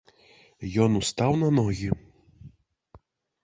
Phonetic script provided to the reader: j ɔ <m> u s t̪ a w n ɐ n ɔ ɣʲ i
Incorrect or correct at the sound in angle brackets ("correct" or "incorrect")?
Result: incorrect